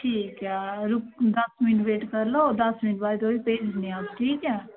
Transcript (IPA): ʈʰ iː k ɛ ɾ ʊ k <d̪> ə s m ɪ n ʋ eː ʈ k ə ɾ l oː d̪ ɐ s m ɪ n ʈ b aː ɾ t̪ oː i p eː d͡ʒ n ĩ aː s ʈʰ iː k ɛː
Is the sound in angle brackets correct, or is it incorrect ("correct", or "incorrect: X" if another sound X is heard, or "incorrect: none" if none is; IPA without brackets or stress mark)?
correct